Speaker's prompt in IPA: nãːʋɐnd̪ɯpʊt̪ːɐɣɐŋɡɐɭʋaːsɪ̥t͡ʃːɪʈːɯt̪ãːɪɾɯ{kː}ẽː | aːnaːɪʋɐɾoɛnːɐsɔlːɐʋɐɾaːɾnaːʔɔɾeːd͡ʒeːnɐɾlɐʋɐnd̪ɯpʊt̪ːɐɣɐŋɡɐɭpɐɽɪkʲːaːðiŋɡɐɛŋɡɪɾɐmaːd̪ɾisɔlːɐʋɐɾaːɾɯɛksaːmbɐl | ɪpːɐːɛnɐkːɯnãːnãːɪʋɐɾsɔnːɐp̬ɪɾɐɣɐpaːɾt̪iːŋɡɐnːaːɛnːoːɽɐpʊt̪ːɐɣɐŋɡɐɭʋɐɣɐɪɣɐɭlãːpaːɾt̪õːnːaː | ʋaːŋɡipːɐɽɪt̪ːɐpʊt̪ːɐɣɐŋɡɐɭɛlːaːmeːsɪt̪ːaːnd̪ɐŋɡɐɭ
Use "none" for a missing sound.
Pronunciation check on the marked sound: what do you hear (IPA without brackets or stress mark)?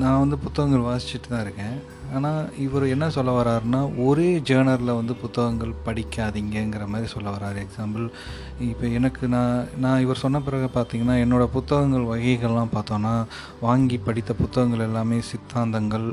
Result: kː